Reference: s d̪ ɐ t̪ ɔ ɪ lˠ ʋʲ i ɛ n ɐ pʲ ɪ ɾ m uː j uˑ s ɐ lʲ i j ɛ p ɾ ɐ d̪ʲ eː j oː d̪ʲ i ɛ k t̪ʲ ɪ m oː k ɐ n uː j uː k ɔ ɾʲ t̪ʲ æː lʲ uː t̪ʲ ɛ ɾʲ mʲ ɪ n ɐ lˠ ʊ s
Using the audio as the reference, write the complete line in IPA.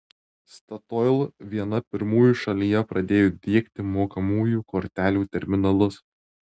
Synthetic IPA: s t̪ ɐ t̪ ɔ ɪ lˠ ʋʲ i ɛ n ɐ pʲ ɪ ɾ m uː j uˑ ʃ ɐ lʲ i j ɛ p ɾ ɐ d̪ʲ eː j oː d̪ʲ i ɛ k t̪ʲ ɪ m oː k ɐ m uː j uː k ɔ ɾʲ t̪ʲ æː lʲ uː t̪ʲ ɛ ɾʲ mʲ ɪ n ɐ lˠ ʊ s